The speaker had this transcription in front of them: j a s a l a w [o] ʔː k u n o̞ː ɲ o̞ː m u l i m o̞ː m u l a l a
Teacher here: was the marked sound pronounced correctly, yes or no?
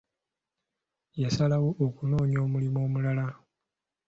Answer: yes